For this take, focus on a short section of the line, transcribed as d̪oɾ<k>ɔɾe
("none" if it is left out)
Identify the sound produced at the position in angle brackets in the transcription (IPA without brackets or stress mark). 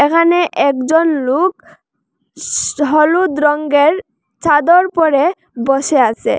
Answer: p